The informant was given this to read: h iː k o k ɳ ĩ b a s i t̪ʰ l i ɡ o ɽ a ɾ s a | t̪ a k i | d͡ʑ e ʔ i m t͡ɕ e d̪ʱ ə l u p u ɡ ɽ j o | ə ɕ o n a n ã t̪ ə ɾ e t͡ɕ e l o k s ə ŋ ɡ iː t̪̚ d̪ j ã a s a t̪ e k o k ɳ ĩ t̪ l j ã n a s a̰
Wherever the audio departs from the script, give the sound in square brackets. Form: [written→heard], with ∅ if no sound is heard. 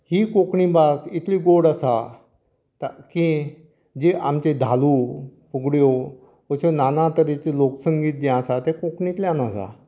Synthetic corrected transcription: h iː k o k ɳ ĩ b a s i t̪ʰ l i ɡ o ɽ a [ɾ→∅] s a | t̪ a k i | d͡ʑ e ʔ [i→a] m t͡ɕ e d̪ʱ [ə→a] l u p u ɡ ɽ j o | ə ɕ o n a n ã t̪ ə ɾ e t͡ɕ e l o k s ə ŋ ɡ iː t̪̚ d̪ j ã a s a t̪ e k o k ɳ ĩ t̪ l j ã n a s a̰